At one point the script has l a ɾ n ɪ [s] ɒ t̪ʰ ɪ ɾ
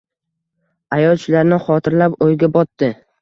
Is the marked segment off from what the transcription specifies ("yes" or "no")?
yes